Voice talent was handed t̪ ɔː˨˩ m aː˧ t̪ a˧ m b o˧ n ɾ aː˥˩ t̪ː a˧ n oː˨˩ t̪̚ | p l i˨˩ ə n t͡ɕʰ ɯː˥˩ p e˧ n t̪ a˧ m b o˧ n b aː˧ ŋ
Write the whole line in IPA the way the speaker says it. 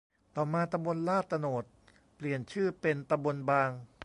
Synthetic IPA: t̪ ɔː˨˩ m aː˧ t̪ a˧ m b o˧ n l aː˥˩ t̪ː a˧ n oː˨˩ t̪̚ | p l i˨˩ ə n t͡ɕʰ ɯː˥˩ p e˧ n t̪ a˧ m b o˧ n b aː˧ ŋ